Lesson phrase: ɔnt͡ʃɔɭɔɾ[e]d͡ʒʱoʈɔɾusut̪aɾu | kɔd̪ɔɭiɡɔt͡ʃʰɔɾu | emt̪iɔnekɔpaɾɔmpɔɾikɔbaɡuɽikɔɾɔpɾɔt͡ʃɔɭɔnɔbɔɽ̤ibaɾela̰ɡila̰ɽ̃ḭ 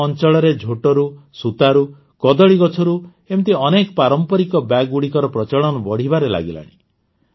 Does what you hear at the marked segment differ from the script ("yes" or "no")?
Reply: no